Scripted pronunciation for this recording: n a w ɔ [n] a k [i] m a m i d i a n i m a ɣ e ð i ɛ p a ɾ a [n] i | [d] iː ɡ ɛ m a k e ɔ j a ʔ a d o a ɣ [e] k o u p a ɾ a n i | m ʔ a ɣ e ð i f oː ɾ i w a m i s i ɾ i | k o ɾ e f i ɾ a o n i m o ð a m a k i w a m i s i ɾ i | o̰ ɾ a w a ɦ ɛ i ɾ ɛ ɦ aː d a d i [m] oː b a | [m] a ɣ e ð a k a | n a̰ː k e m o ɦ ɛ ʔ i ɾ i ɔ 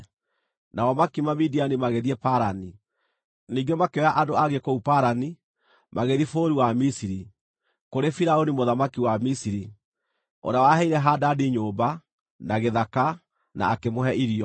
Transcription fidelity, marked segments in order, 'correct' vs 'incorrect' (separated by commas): incorrect, correct, correct, incorrect, correct, incorrect, incorrect